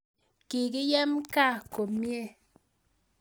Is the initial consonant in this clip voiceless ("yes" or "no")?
yes